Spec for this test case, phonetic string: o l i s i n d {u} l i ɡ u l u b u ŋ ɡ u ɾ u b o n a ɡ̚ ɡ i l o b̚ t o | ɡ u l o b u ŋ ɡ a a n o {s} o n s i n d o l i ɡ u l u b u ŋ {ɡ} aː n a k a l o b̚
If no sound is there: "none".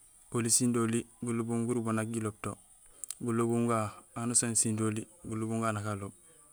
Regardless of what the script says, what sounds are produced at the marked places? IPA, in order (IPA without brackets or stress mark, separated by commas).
o, s, ɡ